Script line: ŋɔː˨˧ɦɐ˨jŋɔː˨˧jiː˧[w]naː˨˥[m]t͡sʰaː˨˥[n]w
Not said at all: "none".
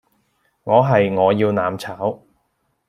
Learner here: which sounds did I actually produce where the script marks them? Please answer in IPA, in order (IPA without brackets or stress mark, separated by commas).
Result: w, m, none